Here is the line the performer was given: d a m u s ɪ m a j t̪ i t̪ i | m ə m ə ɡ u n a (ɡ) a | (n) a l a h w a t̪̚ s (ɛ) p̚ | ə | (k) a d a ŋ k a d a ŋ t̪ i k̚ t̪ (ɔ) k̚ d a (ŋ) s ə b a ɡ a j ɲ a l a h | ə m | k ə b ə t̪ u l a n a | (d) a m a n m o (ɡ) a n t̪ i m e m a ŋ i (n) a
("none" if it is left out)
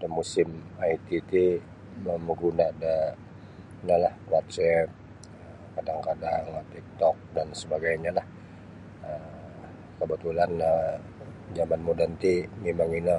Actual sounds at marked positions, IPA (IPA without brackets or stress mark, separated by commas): d, n, ɛ, k, ɔ, n, d͡ʒ, d, n